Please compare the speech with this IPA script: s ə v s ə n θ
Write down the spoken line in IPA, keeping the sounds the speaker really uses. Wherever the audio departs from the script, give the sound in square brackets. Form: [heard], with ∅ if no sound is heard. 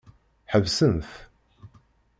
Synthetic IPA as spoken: [ħ] ə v s ə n θ